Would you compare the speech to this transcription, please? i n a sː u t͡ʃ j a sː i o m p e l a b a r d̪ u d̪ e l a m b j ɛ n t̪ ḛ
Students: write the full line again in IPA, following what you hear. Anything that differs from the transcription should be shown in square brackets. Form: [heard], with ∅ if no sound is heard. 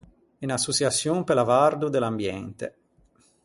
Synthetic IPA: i n a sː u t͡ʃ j a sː [j] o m p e l a [v] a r d̪ u d̪ e l a m b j ɛ n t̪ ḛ